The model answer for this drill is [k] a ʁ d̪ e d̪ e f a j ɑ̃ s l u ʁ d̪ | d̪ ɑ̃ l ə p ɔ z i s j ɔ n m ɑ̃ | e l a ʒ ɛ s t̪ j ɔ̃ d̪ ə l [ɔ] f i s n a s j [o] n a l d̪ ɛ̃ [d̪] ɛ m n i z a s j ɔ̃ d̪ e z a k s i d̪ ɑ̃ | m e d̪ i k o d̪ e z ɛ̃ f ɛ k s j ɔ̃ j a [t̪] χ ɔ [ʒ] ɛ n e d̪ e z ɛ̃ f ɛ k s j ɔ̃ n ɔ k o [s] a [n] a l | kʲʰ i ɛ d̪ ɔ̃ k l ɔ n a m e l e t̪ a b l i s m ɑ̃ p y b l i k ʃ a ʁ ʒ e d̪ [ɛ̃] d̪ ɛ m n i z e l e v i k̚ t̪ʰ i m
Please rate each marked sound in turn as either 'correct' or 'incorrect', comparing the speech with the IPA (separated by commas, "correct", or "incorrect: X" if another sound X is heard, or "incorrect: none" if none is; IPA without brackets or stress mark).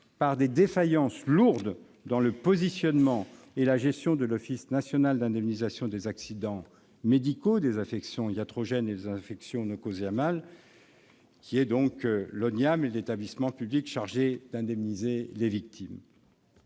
incorrect: p, correct, incorrect: ɔ, correct, correct, correct, incorrect: z, incorrect: m, correct